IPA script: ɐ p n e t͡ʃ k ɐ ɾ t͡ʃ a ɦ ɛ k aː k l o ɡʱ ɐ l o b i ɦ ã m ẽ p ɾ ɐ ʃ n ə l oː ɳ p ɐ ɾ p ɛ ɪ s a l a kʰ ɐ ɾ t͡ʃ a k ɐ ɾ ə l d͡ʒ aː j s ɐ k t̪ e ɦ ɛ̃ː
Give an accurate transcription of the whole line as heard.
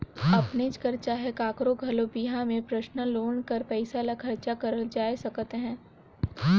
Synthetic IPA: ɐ p n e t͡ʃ k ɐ ɾ t͡ʃ a ɦ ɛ k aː k ɾ o ɡʱ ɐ l o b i ɦ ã m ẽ p ɾ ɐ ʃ n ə l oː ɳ k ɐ ɾ p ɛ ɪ s a l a kʰ ɐ ɾ t͡ʃ a k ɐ ɾ ə l d͡ʒ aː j s ɐ k t̪ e ɦ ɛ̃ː

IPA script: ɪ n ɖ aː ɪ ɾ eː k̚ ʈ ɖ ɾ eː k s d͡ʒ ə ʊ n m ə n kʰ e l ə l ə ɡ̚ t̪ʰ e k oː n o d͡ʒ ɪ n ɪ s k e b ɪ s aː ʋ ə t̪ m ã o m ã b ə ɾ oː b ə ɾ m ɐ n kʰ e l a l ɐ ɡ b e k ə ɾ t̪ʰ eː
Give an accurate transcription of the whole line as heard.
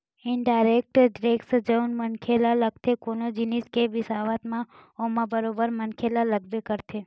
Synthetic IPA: ɪ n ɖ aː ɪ ɾ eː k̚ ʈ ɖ ɾ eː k s d͡ʒ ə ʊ n m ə n kʰ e l a l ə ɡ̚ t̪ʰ e k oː n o d͡ʒ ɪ n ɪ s k e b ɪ s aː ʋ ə t̪ m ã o m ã b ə ɾ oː b ə ɾ m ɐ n kʰ e l a l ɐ ɡ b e k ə ɾ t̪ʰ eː

